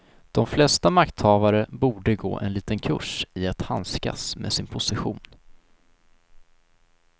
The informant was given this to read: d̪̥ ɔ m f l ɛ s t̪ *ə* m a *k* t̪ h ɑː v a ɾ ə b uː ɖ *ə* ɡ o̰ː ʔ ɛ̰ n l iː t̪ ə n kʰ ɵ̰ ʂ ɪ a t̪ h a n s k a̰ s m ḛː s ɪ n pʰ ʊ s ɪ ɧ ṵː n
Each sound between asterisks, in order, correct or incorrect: incorrect: a, correct, correct

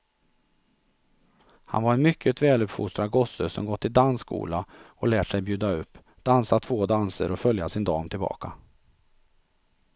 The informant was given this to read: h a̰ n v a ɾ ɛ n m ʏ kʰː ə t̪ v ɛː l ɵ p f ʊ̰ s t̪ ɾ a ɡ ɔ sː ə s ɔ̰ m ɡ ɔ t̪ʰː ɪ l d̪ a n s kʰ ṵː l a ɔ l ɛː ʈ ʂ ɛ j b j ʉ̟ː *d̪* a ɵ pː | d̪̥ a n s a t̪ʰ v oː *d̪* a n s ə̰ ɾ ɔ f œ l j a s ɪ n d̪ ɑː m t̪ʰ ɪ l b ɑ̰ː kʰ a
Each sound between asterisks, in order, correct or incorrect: correct, correct

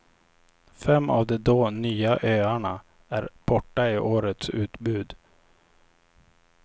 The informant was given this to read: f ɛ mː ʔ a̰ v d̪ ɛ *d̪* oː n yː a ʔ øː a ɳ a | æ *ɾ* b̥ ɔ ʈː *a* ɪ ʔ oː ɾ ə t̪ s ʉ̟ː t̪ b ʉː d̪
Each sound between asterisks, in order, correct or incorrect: correct, correct, correct

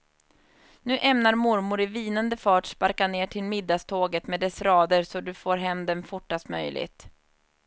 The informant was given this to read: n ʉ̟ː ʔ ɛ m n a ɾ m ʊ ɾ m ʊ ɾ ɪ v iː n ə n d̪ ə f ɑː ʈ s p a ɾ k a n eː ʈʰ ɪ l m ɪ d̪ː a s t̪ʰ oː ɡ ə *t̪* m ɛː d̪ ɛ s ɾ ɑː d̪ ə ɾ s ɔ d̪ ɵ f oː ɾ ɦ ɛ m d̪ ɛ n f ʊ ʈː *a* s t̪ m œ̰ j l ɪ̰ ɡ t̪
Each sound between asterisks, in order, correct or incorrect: correct, correct

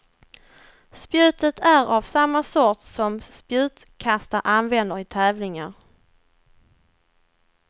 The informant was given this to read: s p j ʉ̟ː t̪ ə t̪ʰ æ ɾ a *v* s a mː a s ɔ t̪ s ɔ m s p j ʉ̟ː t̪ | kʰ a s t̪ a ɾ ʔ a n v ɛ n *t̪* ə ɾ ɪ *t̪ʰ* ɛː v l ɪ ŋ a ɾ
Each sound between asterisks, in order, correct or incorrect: correct, incorrect: d̪, correct

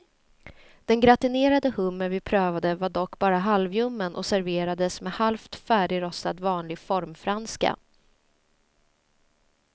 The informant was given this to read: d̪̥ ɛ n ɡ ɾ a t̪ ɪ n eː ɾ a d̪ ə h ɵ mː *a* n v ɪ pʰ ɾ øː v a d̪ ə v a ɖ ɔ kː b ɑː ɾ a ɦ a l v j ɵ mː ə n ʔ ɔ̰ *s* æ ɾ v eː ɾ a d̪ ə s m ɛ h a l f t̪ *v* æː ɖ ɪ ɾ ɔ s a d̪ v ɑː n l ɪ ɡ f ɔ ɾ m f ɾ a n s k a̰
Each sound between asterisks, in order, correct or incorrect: incorrect: ə, correct, incorrect: f

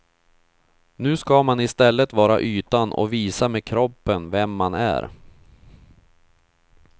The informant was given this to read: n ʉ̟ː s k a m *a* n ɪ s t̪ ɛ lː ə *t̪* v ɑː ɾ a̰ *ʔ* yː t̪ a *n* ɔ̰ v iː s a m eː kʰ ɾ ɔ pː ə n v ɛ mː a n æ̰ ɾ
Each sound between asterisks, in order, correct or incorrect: correct, correct, correct, correct

